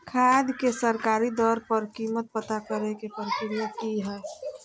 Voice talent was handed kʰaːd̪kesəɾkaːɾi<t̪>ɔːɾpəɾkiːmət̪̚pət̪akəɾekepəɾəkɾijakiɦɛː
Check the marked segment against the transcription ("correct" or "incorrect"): incorrect